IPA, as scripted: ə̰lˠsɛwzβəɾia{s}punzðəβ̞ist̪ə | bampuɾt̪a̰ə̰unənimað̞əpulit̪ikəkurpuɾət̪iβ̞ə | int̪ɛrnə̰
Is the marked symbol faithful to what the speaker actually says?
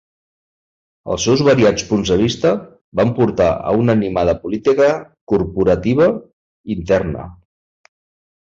no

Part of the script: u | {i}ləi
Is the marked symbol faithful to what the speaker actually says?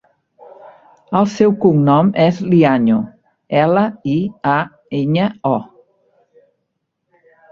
no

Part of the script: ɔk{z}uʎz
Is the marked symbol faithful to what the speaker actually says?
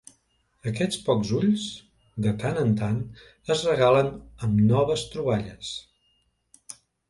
yes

